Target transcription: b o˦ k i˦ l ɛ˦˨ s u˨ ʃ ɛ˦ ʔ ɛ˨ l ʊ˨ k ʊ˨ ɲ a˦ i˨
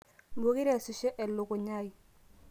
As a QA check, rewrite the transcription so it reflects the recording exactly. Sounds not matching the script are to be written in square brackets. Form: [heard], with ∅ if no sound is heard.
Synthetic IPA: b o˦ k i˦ [ɾ] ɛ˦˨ s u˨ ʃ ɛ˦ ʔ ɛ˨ l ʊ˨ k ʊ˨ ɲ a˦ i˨

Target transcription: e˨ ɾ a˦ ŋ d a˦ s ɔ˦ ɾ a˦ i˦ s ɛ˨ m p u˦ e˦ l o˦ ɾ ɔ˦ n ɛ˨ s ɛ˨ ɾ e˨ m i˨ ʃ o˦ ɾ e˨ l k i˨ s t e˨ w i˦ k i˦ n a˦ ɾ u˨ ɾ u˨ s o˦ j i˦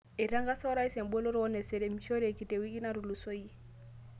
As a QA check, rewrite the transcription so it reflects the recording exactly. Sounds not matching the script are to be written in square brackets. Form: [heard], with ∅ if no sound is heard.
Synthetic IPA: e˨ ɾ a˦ ŋ [ɡ] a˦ s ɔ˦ ɾ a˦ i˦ s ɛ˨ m [b] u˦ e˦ l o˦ ɾ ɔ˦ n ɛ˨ s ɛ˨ ɾ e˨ m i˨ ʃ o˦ ɾ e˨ [∅] k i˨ [∅] t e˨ w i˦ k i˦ n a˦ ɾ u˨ [l] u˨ s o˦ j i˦

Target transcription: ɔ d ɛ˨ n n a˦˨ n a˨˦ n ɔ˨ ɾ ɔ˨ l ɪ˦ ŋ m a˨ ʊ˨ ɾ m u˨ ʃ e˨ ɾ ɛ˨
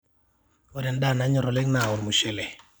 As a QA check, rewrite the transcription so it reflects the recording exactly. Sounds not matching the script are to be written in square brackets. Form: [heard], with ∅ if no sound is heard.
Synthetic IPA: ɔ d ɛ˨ n [d] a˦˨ n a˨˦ [ɲ] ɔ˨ ɾ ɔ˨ l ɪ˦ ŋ [n] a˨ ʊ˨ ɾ m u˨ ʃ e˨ [l] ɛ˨

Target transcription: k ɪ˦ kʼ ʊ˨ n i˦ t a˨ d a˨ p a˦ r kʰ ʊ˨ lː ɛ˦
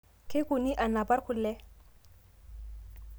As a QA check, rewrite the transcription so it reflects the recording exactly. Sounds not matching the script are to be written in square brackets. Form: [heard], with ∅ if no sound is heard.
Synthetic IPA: k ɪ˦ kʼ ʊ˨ n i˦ [ʔ] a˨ [n] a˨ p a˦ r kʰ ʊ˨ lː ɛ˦

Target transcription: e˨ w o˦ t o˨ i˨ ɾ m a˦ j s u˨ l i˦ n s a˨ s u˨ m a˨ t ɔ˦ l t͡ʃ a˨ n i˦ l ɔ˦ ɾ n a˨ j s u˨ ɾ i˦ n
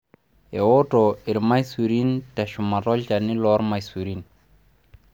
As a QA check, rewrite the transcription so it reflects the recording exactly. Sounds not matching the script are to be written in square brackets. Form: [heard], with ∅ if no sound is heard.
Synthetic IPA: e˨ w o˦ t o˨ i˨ ɾ m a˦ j s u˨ [ɾ] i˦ n [t] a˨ [ʃ] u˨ m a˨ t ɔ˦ l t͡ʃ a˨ n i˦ l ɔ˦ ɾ [m] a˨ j s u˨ ɾ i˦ n

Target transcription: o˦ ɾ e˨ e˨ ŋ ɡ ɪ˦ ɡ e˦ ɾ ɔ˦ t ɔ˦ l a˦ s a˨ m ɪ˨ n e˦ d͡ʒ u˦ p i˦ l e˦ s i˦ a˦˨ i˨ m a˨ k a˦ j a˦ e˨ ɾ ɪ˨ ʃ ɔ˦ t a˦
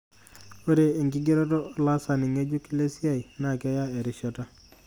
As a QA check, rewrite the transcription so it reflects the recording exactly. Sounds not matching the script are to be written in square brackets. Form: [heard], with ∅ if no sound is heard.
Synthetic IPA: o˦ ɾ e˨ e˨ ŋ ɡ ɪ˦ ɡ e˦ ɾ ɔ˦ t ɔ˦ l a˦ s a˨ [n] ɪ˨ [ŋ] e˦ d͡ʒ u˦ [k] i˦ l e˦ s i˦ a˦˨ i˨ [n] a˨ k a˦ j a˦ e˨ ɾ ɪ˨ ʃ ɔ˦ t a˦

